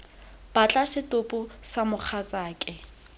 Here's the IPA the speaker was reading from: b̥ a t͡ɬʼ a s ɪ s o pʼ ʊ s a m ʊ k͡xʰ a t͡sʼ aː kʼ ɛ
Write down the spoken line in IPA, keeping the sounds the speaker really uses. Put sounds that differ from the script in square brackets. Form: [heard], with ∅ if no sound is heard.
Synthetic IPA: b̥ a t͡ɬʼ a s ɪ [t] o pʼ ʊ s a m ʊ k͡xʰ a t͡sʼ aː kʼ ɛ